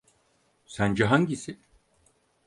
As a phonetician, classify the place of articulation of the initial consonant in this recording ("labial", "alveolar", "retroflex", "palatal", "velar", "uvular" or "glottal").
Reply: alveolar